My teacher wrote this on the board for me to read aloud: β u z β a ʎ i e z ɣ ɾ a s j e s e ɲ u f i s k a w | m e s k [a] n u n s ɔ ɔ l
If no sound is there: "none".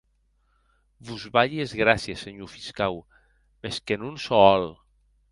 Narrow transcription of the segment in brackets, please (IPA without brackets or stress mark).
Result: e